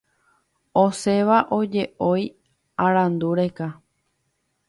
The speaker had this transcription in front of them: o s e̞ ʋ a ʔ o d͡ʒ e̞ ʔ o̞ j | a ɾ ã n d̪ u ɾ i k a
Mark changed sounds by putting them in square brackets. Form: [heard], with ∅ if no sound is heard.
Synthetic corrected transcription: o s e̞ ʋ a ʔ o d͡ʒ e̞ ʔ o̞ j | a ɾ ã n d̪ u ɾ [e] k a

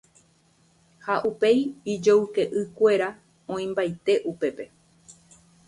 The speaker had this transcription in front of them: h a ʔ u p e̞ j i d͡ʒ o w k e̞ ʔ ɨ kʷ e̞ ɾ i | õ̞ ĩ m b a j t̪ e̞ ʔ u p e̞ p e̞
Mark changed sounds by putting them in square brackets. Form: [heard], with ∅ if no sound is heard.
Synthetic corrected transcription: h a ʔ u p e̞ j i d͡ʒ o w k e̞ ʔ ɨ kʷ e̞ ɾ [a] | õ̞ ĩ m b a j t̪ e̞ ʔ u p e̞ p e̞

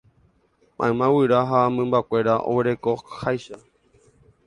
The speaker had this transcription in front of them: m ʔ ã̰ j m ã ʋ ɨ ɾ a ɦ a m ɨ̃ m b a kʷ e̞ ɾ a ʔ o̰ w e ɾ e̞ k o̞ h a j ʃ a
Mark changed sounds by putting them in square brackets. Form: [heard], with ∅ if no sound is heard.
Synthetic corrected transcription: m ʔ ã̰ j m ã [w] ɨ ɾ a ɦ a m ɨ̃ m b a kʷ e̞ ɾ a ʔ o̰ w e ɾ e̞ k o̞ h a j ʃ a

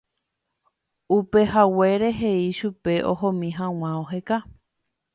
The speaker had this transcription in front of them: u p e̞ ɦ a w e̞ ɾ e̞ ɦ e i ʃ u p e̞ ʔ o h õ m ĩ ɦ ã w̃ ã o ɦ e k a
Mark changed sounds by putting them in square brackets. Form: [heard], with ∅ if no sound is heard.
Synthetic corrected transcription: u p e̞ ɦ a w e̞ ɾ e̞ ɦ e i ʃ u p e̞ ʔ o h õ m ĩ ɦ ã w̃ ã o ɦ e k a

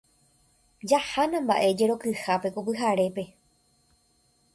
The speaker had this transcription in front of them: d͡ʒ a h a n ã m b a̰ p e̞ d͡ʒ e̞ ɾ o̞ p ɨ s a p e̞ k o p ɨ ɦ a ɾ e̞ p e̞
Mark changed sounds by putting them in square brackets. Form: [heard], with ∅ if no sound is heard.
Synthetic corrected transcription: d͡ʒ a h a n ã m b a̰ [ʔ] e̞ d͡ʒ e̞ ɾ o̞ [k] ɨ [h] a p e̞ k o p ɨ ɦ a ɾ e̞ p e̞

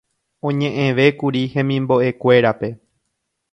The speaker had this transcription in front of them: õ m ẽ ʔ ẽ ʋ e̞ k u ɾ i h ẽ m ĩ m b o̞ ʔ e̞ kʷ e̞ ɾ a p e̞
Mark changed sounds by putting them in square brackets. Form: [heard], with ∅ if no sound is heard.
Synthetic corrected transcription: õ [ɲ] ẽ ʔ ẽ ʋ e̞ k u ɾ i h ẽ m ĩ m b o̞ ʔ e̞ kʷ e̞ ɾ a p e̞

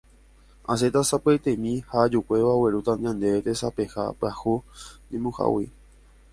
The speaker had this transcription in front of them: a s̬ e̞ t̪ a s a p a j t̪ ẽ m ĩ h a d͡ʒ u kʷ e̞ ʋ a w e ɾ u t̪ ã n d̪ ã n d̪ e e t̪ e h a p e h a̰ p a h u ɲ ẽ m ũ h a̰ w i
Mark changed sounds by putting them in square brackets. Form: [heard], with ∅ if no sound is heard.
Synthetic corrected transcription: a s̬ e̞ t̪ a s a p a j t̪ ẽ m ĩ h a d͡ʒ u kʷ e̞ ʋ a w e ɾ u t̪ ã n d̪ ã n d̪ e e t̪ e [s] a p e h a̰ p a h u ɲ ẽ m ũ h a̰ w i

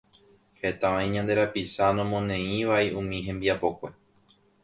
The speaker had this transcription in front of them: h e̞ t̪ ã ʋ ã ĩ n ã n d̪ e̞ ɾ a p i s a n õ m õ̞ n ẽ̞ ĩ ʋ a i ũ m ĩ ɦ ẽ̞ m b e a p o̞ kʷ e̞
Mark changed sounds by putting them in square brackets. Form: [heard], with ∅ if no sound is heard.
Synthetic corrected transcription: h e̞ t̪ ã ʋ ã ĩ [ɲ] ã n d̪ e̞ ɾ a p i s a n õ m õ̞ n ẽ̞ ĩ ʋ a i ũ m ĩ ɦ ẽ̞ m b [i] a p o̞ kʷ e̞

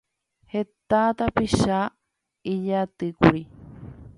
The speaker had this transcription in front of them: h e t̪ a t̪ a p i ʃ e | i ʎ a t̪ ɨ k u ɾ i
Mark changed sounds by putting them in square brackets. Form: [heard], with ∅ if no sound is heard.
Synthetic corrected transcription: h e t̪ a t̪ a p i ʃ [a] | i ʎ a t̪ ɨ k u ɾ i

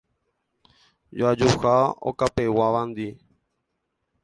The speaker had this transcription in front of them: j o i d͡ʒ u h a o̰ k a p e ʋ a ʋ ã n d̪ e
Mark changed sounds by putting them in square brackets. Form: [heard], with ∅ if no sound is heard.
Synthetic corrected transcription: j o [a] d͡ʒ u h a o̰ k a p e [w] a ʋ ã n d̪ [i]

